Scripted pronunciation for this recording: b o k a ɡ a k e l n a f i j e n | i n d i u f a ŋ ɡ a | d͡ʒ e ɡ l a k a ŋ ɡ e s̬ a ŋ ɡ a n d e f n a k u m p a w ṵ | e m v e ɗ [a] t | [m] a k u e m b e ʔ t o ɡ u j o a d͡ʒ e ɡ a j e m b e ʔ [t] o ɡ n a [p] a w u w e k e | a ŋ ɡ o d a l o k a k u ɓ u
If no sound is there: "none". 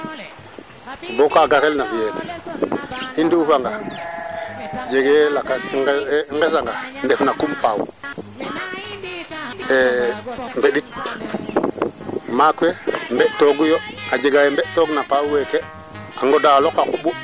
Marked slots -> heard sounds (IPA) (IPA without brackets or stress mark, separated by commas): i, m, t, p